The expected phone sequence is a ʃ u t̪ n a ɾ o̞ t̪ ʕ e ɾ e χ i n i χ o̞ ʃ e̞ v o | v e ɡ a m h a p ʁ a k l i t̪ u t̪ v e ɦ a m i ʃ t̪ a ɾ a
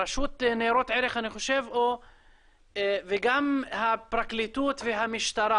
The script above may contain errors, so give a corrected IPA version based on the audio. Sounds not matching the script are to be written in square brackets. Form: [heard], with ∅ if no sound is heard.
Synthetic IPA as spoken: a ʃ u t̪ n [e] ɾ o̞ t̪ ʕ e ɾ e χ [a] n i χ o̞ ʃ e̞ v o | v e ɡ a m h a p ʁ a k l i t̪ u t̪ v e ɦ a m i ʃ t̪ a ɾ a